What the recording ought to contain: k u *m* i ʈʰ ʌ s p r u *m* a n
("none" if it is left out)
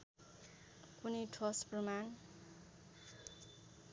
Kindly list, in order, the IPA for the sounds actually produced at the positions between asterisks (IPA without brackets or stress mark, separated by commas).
n, m